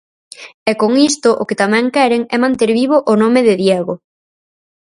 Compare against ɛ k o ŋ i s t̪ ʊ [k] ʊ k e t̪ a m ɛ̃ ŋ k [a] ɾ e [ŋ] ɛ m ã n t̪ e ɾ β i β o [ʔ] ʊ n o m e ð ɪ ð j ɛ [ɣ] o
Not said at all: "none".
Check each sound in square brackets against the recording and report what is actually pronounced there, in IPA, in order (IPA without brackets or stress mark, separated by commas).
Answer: ʔ, ɛ, ŋ, ʔ, ɣ